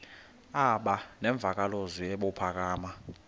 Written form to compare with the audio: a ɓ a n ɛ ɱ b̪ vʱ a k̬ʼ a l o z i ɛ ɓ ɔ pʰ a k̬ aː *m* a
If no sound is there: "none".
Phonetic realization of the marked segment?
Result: m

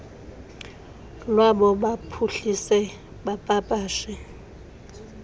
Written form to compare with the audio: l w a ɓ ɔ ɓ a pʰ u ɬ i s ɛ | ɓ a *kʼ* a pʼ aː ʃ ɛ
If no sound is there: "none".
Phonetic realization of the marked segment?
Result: pʼ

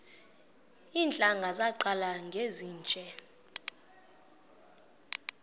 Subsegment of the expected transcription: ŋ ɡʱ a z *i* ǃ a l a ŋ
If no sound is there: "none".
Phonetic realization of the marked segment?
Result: a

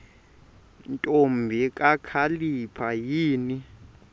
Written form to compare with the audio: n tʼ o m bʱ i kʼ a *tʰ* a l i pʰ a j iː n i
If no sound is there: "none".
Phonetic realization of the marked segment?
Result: kʰ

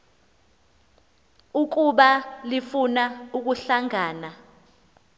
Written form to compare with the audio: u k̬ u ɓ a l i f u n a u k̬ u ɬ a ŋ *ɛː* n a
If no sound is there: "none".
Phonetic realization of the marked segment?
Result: aː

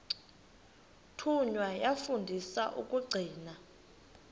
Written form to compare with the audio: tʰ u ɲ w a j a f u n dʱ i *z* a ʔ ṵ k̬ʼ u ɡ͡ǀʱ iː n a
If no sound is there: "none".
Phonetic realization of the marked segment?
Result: s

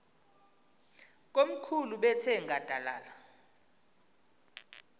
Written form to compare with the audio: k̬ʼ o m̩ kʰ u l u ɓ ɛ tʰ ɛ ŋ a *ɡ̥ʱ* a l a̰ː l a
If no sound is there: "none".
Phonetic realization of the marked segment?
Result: d̥ʱ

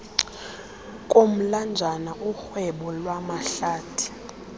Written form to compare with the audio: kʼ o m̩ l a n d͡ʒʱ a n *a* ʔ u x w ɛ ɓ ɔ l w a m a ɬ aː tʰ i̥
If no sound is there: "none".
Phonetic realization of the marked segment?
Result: a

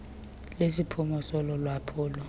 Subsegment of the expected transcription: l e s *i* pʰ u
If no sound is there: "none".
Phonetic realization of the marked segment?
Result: i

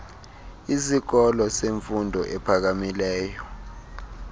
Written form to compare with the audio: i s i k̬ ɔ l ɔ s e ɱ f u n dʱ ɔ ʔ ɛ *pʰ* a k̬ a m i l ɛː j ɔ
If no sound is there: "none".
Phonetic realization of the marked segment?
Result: pʰ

